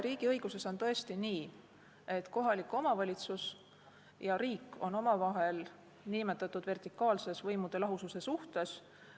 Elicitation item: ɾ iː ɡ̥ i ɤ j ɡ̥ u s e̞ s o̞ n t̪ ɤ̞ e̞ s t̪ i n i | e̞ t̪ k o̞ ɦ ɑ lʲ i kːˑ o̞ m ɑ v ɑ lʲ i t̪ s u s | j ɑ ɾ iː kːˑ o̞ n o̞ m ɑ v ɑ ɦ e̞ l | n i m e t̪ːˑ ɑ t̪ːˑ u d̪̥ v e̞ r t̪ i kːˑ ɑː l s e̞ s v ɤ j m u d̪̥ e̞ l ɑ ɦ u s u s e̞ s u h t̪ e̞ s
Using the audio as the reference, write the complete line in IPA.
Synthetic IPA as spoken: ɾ iː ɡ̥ i ɤ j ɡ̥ u s e̞ s o̞ n t̪ ɤ̞ e̞ s t̪ i n iː | e̞ t̪ k o̞ ɦ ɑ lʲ i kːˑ o̞ m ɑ v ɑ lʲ i t̪ s u s | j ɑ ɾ iː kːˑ o̞ n o̞ m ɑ v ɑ ɦ e̞ l | n i m e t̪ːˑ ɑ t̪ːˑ u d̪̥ v e̞ r t̪ i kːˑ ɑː l s e̞ s v ɤ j m u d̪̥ e̞ l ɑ ɦ u s u s e̞ s u h t̪ e̞ s